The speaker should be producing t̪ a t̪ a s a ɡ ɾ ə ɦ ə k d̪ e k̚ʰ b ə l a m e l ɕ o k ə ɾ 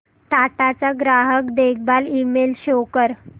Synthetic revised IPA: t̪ a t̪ a t͡s a ɡ ɾ a ɦ ə k d̪ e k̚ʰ b a l i m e l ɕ o k ə ɾ